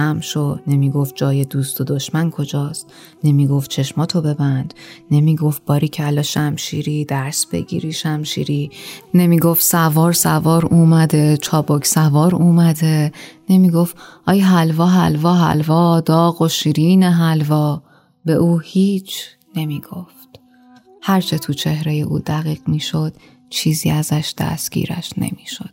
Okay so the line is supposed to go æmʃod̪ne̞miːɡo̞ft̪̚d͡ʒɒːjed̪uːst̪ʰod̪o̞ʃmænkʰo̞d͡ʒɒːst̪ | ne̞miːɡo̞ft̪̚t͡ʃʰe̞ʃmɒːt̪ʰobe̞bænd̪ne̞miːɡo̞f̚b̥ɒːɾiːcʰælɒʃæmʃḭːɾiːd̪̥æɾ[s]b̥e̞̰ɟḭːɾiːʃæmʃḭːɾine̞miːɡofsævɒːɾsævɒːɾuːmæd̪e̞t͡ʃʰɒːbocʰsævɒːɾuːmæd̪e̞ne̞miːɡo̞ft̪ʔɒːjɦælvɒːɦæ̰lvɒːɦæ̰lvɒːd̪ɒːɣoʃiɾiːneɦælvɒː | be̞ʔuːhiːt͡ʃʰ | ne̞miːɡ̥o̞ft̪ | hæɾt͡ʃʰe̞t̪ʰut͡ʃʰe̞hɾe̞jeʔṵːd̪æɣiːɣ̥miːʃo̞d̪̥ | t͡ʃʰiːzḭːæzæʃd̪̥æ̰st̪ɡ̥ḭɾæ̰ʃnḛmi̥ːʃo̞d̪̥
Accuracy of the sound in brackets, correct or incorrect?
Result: correct